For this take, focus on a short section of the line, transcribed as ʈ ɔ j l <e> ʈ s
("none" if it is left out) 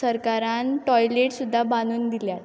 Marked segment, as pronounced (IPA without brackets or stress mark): e